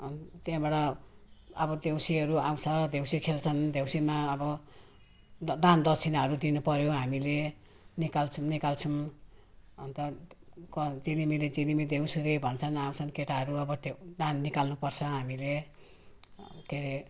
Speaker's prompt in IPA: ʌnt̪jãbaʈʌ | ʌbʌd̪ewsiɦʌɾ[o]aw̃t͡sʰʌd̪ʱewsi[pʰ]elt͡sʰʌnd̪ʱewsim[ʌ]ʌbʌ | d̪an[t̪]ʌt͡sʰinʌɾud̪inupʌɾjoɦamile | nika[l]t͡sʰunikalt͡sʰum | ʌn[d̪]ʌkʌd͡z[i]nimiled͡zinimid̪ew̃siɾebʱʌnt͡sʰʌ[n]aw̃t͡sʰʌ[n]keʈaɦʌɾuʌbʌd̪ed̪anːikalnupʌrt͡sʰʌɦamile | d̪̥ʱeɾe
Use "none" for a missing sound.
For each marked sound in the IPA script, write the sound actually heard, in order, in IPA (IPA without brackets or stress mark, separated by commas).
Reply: u, kʰ, a, d̪, l, t̪, i, n, n